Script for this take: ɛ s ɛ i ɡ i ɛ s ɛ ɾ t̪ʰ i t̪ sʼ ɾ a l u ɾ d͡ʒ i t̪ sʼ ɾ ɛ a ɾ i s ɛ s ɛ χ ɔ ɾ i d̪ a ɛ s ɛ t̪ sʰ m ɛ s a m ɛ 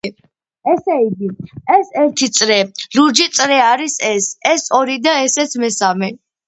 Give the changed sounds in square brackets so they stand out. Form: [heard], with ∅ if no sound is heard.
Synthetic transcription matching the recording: ɛ s ɛ i ɡ i ɛ s ɛ ɾ t̪ʰ i t̪ sʼ ɾ [ɛ] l u ɾ d͡ʒ i t̪ sʼ ɾ ɛ a ɾ i s ɛ s ɛ [s] ɔ ɾ i d̪ a ɛ s ɛ t̪ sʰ m ɛ s a m ɛ

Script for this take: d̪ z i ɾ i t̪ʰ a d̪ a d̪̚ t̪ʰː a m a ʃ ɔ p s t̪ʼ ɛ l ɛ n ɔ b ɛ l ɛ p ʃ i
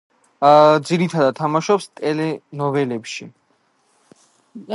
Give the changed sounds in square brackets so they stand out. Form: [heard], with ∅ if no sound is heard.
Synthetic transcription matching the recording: d̪ z i ɾ i t̪ʰ a d̪ a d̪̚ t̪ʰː a m a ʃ ɔ p s t̪ʼ ɛ l ɛ n ɔ [v] ɛ l ɛ p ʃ i

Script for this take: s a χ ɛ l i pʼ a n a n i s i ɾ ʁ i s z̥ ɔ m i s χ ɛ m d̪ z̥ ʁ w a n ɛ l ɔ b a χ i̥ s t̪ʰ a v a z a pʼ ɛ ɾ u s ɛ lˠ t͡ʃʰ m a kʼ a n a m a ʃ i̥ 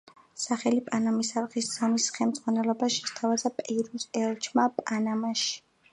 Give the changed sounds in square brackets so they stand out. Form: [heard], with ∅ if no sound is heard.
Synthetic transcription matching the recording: s a χ ɛ l i pʼ a n a [m] i s [a] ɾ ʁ i s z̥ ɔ m i s χ ɛ m d̪ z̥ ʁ w a n ɛ l ɔ b a [ʃ] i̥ s t̪ʰ a v a z a pʼ ɛ ɾ u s ɛ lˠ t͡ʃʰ m a [pʼ] a n a m a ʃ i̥

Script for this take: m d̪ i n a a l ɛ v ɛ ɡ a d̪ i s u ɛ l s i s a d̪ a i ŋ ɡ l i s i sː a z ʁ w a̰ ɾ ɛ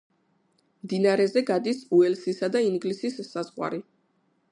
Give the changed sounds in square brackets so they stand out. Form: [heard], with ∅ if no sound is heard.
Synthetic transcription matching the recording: m d̪ i n a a [ɾ] ɛ [z] ɛ ɡ a d̪ i s u ɛ l s i s a d̪ a i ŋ ɡ l i s i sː a z ʁ w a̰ ɾ [i]

